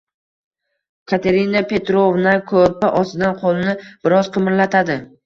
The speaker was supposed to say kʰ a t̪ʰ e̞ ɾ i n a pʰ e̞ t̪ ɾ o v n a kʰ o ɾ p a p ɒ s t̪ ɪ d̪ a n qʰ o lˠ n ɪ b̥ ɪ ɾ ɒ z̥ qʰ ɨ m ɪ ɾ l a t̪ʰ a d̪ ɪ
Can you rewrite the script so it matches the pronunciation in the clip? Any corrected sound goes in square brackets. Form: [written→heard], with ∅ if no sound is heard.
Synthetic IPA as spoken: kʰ a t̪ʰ e̞ ɾ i n a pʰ e̞ t̪ ɾ o v n a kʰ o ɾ p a [p→ʔ] ɒ s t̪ ɪ d̪ a n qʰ o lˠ n ɪ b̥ ɪ ɾ ɒ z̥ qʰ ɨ m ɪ ɾ l a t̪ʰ a d̪ ɪ